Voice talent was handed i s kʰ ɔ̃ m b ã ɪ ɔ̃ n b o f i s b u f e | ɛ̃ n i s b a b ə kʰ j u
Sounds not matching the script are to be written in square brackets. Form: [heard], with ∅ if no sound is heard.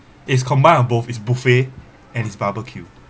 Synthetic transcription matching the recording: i s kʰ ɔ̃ m b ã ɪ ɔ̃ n b o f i s b u f e | ɛ̃ n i s b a b ə kʰ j u